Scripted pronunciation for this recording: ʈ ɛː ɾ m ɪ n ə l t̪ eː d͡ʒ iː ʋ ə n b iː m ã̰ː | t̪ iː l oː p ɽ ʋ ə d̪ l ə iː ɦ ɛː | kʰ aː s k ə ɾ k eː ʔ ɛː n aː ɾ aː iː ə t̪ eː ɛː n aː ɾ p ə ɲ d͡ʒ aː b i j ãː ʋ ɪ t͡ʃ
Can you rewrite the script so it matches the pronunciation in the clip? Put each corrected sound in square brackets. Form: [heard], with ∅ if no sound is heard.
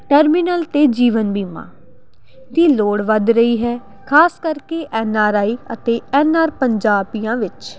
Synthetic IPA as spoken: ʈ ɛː ɾ m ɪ n ə l t̪ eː d͡ʒ iː ʋ ə n b iː m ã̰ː | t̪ iː l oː [∅] ɽ ʋ ə d̪ [ɾ] ə iː ɦ ɛː | kʰ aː s k ə ɾ k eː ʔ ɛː n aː ɾ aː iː ə t̪ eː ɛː n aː ɾ p ə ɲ d͡ʒ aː b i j ãː ʋ ɪ t͡ʃ